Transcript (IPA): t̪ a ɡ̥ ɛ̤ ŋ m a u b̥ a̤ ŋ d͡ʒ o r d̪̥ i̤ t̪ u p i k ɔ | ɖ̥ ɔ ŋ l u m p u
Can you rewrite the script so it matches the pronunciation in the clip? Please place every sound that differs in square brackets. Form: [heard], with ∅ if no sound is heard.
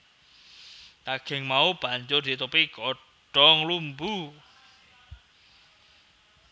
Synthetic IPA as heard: t̪ a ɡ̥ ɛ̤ ŋ m a u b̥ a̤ [ɲ] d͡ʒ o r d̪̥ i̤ t̪ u p i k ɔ | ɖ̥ ɔ ŋ l u m [b] u